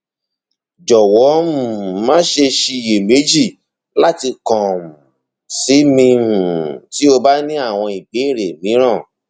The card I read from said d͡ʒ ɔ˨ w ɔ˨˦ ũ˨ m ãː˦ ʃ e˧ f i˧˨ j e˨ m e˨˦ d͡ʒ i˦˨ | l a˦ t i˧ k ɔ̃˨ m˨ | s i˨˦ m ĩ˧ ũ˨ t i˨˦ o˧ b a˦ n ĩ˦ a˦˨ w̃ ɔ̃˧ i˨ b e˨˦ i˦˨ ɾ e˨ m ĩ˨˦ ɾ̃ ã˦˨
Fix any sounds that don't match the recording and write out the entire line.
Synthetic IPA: d͡ʒ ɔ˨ w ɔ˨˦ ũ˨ m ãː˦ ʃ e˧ ʃ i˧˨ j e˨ m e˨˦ d͡ʒ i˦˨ | l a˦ t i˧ k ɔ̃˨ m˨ | s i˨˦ m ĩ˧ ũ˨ t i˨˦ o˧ b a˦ n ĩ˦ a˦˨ w̃ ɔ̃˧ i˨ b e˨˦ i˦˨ ɾ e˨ m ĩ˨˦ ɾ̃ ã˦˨